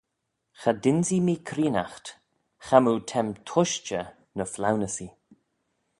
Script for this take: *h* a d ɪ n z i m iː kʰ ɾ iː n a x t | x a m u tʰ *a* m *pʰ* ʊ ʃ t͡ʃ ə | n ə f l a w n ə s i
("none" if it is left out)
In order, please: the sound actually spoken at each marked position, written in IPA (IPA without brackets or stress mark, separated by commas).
x, ɛ, tʰ